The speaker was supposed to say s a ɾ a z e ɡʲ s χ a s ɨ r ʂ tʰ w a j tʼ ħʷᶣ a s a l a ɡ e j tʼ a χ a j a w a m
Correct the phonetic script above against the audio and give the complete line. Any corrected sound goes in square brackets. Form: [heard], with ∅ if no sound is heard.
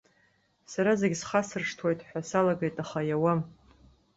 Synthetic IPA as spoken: s a ɾ a z e ɡʲ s χ a s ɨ r ʂ tʰ w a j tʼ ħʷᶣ a s a l a ɡ e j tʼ a χ a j a w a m